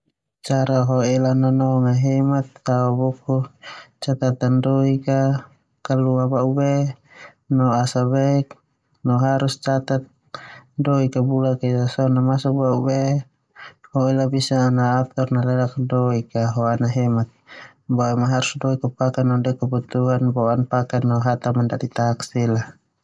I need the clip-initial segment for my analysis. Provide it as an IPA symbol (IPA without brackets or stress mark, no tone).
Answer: t͡ʃ